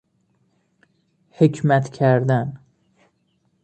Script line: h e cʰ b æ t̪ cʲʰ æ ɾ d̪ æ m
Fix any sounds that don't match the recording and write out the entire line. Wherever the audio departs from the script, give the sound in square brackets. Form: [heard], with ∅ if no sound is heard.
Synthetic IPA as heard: h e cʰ [m] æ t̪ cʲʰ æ ɾ d̪ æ [n]